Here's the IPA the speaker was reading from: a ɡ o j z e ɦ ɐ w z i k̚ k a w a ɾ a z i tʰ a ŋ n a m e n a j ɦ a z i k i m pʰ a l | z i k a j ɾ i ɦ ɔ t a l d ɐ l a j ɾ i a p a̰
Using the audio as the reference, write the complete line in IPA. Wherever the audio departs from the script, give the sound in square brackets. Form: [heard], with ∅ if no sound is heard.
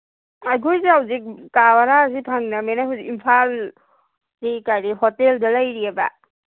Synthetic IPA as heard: a ɡ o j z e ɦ [a] w z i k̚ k a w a ɾ a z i [pʰ] a ŋ n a m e n a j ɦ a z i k i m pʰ a l | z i k a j ɾ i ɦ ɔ t [e] l d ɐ l a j ɾ i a [b] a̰